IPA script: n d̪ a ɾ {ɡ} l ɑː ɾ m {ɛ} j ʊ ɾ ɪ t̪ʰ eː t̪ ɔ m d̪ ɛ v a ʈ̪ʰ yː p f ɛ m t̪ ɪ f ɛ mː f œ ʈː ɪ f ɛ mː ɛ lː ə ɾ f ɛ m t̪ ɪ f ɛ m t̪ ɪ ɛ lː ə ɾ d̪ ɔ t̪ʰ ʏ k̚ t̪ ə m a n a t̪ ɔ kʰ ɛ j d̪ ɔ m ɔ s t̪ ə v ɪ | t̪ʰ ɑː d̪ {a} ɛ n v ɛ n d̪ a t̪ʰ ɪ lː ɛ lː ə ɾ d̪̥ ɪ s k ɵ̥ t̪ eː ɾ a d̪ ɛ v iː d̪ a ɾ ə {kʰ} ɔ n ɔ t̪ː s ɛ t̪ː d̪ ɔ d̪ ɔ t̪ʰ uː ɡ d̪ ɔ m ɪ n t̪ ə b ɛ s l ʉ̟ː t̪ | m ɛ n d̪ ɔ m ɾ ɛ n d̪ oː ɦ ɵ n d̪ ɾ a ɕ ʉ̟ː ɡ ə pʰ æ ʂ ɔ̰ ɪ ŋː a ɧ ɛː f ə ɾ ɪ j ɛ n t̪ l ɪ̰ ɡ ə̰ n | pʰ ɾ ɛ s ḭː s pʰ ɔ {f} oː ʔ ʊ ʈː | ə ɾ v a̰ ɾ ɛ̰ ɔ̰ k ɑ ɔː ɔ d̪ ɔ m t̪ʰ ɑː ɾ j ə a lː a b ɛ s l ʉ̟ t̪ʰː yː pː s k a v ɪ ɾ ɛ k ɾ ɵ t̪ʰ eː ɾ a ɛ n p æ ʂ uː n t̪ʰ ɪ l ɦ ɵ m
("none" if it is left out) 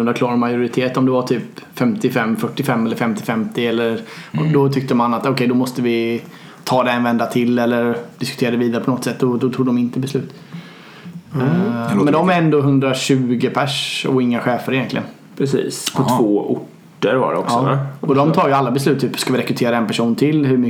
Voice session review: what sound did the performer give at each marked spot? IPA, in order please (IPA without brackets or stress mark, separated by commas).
k, a, ɛ, pʰ, v